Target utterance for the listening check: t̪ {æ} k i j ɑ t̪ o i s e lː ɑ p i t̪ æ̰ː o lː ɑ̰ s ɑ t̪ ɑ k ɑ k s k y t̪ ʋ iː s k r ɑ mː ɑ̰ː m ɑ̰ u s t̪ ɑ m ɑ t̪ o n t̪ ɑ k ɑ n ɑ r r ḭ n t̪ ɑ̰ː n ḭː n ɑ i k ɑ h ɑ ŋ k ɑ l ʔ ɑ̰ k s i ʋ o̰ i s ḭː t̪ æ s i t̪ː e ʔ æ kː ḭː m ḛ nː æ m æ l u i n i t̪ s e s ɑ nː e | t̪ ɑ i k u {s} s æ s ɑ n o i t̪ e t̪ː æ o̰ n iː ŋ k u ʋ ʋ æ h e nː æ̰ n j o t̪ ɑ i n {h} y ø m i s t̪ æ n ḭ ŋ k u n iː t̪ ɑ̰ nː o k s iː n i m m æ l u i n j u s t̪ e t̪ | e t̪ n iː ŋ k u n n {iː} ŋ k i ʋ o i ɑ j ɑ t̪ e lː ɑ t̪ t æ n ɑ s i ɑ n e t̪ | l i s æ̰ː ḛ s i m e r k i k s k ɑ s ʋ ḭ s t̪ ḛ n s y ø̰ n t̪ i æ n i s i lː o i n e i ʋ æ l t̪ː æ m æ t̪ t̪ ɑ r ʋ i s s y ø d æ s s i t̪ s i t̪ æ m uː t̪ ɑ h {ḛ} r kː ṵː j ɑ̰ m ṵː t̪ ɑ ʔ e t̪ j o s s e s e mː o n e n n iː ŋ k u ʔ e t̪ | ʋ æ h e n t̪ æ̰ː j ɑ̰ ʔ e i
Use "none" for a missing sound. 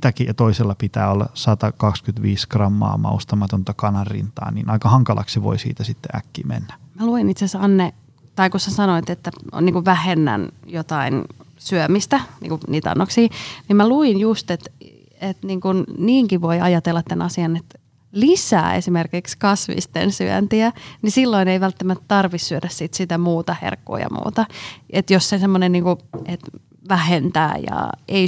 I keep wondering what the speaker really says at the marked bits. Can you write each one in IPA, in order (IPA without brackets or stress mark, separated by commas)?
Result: æ, s, s, iː, ḛ